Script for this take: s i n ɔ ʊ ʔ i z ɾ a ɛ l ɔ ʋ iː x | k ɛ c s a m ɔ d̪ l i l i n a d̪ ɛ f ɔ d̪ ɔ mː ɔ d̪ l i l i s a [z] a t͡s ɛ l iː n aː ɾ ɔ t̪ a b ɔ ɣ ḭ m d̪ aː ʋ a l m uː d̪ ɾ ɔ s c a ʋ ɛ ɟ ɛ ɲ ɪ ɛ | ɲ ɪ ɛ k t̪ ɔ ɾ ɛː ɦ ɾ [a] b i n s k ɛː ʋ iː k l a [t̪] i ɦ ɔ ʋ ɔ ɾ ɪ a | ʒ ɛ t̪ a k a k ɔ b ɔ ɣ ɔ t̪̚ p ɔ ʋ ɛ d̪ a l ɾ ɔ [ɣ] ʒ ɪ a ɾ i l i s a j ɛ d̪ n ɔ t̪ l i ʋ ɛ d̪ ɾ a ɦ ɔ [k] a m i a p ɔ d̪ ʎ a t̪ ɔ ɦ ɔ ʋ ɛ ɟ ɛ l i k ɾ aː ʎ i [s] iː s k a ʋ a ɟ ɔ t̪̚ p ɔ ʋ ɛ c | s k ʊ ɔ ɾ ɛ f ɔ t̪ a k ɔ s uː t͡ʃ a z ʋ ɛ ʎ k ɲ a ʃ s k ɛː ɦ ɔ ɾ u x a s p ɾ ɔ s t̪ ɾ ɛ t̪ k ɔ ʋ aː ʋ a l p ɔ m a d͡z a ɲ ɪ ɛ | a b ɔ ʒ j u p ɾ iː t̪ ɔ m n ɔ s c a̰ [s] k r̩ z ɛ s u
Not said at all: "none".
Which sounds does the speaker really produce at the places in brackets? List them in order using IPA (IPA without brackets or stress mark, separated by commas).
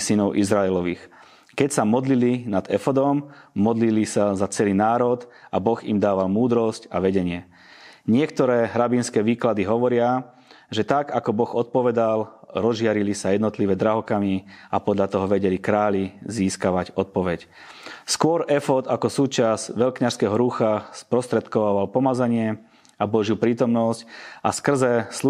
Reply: z, a, d̪, z, k, z, s